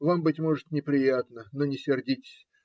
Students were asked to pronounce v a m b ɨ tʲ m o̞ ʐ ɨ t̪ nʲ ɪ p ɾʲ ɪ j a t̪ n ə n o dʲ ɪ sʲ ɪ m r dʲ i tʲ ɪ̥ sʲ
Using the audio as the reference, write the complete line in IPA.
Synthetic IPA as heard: v a m b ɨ tʲ m o̞ ʐ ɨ t̪ nʲ ɪ p ɾʲ ɪ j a t̪ n ə n o nʲ ɪ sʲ ɪ r dʲ i tʲ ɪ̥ sʲ